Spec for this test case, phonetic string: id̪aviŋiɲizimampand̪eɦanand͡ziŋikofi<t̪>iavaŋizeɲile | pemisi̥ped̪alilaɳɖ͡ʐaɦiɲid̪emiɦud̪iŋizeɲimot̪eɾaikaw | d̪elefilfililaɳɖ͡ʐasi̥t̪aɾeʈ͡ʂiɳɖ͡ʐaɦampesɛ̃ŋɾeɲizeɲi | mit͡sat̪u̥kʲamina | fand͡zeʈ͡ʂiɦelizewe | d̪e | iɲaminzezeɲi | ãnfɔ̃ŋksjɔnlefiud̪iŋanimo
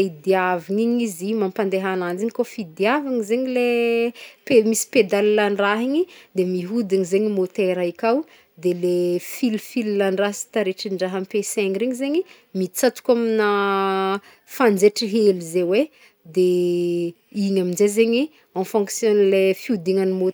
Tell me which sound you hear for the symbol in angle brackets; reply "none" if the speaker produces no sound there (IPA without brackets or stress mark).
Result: d̪